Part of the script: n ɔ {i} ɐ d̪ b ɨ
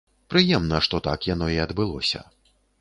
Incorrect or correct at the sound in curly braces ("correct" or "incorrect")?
correct